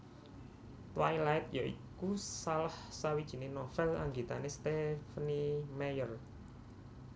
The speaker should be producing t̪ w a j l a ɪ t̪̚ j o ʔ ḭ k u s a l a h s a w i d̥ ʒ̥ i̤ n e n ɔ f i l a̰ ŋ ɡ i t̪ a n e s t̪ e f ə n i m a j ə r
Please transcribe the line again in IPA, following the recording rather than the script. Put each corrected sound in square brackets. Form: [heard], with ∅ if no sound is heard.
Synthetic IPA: t̪ w a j l a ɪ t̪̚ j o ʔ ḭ k u s a l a h s a w i d̥ ʒ̥ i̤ n e n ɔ f [ɛ] l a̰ ŋ ɡ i t̪ a n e s t̪ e f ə n i m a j ə r

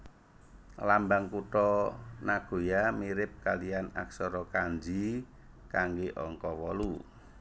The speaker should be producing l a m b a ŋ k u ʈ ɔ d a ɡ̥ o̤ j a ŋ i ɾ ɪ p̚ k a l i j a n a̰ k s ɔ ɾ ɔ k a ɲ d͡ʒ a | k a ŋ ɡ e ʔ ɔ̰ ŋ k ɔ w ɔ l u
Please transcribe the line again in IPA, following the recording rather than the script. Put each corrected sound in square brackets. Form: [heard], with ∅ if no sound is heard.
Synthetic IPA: l a m b a ŋ k u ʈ ɔ [n] a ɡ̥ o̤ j a [m] i ɾ ɪ p̚ k a l i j a n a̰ k s ɔ ɾ ɔ k a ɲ d͡ʒ [i] | k a ŋ ɡ e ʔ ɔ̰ ŋ k ɔ w ɔ l u

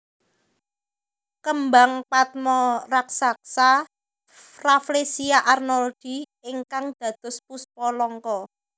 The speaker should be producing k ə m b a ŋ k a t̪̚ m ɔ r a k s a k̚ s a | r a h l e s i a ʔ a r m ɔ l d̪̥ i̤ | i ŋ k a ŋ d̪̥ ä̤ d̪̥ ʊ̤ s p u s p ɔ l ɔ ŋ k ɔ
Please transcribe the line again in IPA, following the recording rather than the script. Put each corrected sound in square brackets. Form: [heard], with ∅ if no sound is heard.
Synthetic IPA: k ə m b a ŋ [p] a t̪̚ m ɔ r a k s a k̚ s a | r a [f] l e s i a ʔ a r [n] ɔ l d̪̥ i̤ | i ŋ k a ŋ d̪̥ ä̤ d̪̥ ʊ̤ s p u s p ɔ l ɔ ŋ k ɔ

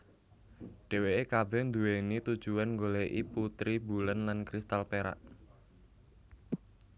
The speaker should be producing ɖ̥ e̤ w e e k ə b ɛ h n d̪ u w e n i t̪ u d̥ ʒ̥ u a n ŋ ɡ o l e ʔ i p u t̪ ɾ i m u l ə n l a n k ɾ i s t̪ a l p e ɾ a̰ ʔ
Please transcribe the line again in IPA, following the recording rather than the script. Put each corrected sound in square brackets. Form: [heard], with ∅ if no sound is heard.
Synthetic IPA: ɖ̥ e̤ w e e k [a] b ɛ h n d̪ u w e n i t̪ u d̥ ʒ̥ u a n ŋ ɡ o l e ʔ i p u t̪ ɾ i [b] u l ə n l a n k ɾ i s t̪ a l p e ɾ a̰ ʔ

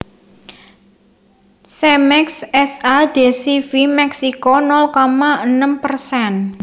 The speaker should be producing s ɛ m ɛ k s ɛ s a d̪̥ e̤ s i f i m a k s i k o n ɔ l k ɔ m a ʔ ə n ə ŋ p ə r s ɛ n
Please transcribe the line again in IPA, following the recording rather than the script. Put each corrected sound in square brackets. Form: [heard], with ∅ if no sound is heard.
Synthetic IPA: s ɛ m ɛ k s ɛ s a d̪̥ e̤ s i f i m [ɛ] k s i k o n ɔ l k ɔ m a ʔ ə n ə [m] p ə r s ɛ n

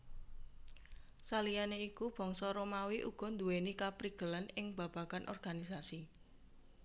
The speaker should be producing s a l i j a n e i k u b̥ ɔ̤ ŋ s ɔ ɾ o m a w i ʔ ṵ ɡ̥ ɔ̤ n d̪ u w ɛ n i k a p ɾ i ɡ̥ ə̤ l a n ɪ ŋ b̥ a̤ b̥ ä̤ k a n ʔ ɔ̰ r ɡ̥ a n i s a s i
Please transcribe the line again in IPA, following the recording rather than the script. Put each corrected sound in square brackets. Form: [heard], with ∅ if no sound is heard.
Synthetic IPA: s a l i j a n e i k u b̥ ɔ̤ ŋ s ɔ ɾ o m a w i ʔ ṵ ɡ̥ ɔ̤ n d̪ u w [e] n i k a p ɾ i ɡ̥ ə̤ l a n ɪ ŋ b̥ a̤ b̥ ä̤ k a n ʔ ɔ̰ r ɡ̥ a n i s a s i

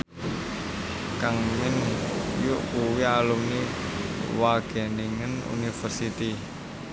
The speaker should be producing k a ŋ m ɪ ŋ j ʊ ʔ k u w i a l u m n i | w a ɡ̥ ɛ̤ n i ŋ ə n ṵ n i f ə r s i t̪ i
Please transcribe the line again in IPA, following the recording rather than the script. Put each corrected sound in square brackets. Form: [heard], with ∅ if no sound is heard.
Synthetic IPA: k a ŋ m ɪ [n] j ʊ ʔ k u w i a l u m n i | w a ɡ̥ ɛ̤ n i ŋ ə n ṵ n i f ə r s i t̪ i

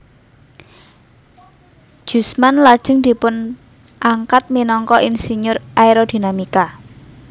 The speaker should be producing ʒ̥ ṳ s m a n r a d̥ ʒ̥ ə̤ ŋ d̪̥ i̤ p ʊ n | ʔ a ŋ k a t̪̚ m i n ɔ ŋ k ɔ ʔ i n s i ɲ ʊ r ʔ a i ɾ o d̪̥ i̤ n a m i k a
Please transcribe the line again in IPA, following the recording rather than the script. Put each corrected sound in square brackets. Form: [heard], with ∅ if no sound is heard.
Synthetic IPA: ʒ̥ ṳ s m a n [l] a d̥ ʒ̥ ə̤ ŋ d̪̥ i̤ p ʊ n | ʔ a ŋ k a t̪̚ m i n ɔ ŋ k ɔ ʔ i n s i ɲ ʊ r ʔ a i ɾ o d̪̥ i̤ n a m i k a

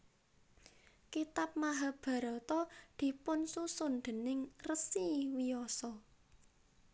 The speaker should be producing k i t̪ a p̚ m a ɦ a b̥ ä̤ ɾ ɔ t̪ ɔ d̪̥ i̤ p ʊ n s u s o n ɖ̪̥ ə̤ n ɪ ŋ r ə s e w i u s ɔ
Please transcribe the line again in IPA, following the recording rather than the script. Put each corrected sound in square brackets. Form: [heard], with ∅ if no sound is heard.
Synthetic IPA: k i t̪ a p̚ m a ɦ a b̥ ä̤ ɾ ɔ t̪ ɔ d̪̥ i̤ p ʊ n s u s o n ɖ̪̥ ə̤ n ɪ ŋ r ə s [i] w i [ɔ] s ɔ

